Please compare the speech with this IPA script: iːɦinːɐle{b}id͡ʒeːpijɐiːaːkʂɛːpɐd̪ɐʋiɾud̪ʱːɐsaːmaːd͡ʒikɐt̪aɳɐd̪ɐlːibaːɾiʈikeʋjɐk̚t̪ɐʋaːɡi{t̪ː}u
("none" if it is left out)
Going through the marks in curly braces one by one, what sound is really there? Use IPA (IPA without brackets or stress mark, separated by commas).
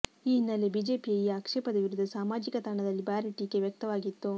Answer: b, t̪ː